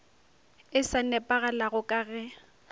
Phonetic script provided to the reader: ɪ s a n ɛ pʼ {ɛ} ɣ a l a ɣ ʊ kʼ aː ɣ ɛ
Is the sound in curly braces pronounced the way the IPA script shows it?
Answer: no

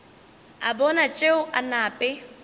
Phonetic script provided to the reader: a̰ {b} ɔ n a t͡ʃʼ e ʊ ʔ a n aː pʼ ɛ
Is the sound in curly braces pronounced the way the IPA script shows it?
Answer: yes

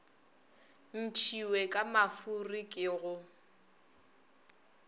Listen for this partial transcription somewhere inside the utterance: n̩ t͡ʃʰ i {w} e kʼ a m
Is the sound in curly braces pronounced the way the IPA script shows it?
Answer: yes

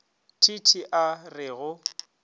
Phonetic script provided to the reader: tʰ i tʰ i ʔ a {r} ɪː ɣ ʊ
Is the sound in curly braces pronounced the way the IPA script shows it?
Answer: yes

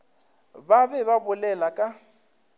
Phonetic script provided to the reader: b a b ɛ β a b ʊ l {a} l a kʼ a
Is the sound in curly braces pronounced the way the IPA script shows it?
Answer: no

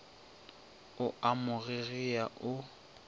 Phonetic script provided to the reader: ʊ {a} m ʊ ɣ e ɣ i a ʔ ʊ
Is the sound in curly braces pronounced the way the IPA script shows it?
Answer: yes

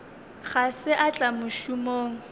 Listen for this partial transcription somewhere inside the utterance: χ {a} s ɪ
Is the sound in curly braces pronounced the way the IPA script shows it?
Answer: yes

